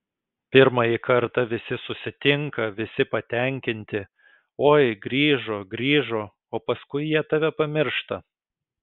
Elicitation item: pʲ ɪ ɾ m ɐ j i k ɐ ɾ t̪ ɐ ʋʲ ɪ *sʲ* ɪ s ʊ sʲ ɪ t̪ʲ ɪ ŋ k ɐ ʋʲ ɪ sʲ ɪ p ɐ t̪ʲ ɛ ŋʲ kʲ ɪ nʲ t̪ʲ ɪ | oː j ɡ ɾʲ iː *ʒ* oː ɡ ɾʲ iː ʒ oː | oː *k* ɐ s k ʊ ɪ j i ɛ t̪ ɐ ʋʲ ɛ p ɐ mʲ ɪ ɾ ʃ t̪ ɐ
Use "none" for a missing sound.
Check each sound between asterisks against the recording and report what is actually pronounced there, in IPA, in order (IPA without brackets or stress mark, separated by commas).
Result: sʲ, ʒ, p